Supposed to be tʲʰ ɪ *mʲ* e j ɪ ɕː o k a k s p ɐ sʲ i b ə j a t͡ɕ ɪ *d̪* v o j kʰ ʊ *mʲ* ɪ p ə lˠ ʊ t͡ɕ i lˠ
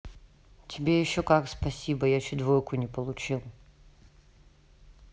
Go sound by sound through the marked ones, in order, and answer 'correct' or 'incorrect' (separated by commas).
incorrect, correct, incorrect